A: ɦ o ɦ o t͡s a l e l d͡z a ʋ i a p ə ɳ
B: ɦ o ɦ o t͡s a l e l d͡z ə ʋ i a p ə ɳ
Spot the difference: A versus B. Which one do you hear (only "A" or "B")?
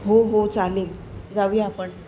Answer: A